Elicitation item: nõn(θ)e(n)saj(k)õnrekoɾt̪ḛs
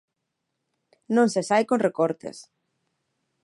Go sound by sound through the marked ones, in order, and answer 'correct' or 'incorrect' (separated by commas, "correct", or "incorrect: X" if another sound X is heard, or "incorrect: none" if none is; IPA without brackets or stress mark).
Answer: incorrect: s, incorrect: none, correct